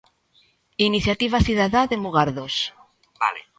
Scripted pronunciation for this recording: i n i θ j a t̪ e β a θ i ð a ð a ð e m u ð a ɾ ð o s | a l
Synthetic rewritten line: i n i θ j a t̪ i β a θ i ð a ð a ð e m u ɣ a ɾ ð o s | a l